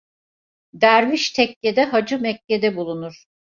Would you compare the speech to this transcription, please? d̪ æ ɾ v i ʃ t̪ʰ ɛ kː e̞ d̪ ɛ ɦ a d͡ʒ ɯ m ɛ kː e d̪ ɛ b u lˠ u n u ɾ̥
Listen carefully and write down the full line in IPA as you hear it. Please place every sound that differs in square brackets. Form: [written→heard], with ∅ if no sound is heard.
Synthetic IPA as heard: d̪ æ ɾ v i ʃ t̪ʰ ɛ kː e̞ d̪ ɛ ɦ a d͡ʒ ɯ m ɛ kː e d̪ ɛ b u lˠ u n u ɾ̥